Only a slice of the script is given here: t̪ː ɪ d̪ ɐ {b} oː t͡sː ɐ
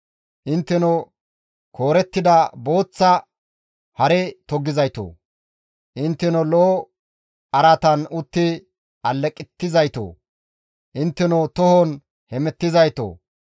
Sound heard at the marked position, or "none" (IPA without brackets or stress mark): b